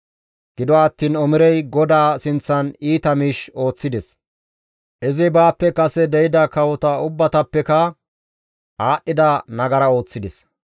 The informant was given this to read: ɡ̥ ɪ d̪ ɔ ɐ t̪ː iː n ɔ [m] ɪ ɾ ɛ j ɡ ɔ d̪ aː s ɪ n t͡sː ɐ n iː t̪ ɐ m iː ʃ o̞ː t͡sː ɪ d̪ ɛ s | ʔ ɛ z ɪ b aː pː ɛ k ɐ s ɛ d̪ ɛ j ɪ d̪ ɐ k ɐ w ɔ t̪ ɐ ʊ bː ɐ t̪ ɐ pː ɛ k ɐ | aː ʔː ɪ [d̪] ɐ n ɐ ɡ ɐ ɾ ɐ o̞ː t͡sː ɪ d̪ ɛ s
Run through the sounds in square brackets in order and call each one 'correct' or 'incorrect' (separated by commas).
correct, correct